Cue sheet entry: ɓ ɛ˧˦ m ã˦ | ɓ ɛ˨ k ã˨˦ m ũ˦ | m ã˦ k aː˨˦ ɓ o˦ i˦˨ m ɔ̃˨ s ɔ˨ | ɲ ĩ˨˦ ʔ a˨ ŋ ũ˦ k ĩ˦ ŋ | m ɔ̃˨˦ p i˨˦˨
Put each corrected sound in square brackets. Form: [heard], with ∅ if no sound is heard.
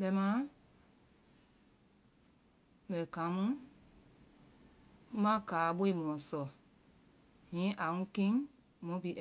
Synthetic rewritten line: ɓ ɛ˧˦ m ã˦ | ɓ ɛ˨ k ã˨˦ m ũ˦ | m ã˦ k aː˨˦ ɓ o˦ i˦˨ m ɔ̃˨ s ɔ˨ | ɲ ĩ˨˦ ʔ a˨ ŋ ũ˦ k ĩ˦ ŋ | m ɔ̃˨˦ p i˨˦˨